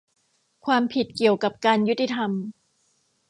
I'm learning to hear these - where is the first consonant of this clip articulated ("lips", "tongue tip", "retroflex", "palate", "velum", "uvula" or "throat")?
velum